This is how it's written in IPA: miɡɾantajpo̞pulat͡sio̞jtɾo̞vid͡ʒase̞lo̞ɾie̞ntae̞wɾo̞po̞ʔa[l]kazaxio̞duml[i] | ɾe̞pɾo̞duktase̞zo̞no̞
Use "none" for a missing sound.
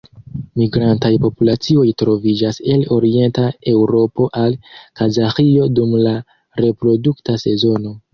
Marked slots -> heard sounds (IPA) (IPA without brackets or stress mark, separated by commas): l, a